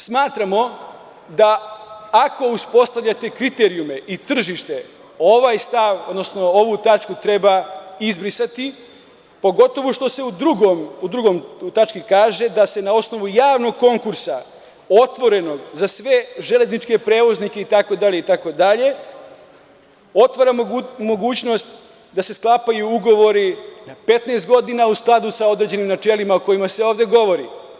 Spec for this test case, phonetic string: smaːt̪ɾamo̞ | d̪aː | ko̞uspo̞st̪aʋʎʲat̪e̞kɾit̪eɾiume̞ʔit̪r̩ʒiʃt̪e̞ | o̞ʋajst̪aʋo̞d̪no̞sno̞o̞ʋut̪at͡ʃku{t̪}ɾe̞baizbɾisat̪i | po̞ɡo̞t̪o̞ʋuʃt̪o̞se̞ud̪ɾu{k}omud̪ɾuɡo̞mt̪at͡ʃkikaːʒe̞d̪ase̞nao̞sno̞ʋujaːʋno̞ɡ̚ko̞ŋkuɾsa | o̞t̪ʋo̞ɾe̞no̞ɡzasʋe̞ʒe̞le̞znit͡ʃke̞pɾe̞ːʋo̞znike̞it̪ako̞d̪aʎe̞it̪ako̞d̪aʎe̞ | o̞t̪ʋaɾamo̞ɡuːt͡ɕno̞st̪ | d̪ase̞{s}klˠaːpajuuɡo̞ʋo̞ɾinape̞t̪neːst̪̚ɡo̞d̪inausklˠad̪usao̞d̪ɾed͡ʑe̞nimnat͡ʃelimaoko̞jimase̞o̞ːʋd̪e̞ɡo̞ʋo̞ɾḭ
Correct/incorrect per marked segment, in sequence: correct, incorrect: ɡ, correct

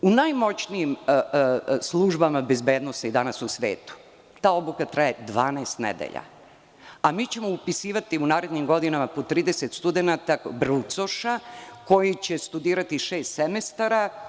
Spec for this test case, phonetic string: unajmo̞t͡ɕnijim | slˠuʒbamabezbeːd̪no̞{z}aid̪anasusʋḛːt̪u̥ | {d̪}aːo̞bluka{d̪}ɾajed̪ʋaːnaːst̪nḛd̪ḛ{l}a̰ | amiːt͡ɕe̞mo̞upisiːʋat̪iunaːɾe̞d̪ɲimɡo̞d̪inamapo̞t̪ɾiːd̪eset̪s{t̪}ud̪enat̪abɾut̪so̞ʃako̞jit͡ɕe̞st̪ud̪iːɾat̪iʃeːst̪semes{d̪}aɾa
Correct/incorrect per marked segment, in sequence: incorrect: s, incorrect: t̪, incorrect: t̪, incorrect: ʎ, correct, incorrect: t̪

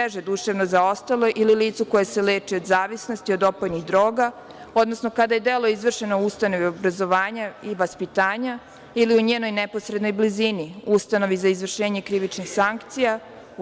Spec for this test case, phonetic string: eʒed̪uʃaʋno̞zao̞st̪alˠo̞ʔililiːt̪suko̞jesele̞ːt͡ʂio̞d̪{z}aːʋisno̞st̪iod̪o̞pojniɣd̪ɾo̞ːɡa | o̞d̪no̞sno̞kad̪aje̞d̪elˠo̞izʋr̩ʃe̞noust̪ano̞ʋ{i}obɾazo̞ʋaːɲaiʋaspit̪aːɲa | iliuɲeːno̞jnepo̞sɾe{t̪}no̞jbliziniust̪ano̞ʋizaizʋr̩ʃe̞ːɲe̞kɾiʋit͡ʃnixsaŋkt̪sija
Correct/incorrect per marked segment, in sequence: correct, correct, incorrect: d̪

